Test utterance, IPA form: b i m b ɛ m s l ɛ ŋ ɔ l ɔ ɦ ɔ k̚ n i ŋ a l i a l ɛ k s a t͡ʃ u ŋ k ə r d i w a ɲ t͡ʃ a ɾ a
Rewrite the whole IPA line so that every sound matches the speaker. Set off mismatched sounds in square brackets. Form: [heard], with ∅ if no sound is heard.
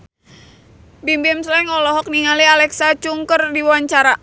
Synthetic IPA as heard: b i m b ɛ m s l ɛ ŋ ɔ l ɔ ɦ ɔ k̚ n i ŋ a l i a l ɛ k s a t͡ʃ u ŋ k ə r d i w a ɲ t͡ʃ a ɾ a